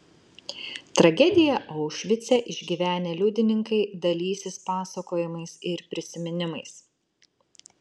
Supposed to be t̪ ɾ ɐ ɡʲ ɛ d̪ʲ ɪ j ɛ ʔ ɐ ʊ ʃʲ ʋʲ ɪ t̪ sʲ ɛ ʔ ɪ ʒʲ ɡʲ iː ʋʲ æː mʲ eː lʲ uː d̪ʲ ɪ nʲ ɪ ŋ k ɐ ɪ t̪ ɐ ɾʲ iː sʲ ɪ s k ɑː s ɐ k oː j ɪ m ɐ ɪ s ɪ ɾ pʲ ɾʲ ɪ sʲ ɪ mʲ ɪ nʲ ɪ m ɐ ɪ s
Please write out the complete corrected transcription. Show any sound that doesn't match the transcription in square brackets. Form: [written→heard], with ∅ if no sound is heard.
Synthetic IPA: t̪ ɾ ɐ ɡʲ ɛ d̪ʲ ɪ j ɛ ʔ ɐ ʊ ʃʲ ʋʲ ɪ t̪ sʲ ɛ ʔ ɪ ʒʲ ɡʲ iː ʋʲ æː [mʲ→nʲ] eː lʲ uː d̪ʲ ɪ nʲ ɪ ŋ k ɐ ɪ [t̪→d̪] ɐ [ɾʲ→lʲ] iː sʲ ɪ s [k→p] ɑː s ɐ k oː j ɪ m ɐ ɪ s ɪ ɾ pʲ ɾʲ ɪ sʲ ɪ mʲ ɪ nʲ ɪ m ɐ ɪ s

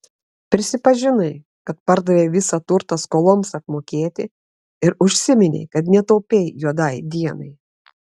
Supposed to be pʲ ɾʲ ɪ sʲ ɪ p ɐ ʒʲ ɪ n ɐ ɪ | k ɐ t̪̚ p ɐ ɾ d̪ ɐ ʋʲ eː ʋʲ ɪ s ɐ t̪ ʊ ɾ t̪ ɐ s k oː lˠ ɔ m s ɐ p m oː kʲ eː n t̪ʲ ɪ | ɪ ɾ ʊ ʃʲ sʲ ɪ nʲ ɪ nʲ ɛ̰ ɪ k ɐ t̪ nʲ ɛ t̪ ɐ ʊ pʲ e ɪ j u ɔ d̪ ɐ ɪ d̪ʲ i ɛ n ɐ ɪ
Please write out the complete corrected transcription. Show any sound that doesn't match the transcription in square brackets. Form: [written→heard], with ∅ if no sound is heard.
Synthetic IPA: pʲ ɾʲ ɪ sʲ ɪ p ɐ ʒʲ ɪ n ɐ ɪ | k ɐ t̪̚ p ɐ ɾ d̪ ɐ ʋʲ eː ʋʲ ɪ s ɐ t̪ ʊ ɾ t̪ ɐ s k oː lˠ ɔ m s ɐ p m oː kʲ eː [n→∅] t̪ʲ ɪ | ɪ ɾ ʊ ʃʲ sʲ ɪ [nʲ→mʲ] ɪ nʲ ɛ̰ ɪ k ɐ t̪ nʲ ɛ t̪ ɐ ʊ pʲ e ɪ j u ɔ d̪ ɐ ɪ d̪ʲ i ɛ n ɐ ɪ

